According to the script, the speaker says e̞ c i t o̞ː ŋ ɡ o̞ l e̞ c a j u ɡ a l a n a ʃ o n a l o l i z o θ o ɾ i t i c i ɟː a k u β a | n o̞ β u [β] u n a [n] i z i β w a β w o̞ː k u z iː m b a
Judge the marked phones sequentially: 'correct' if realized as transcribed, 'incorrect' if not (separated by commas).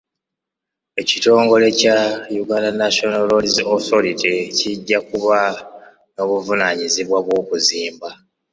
incorrect, incorrect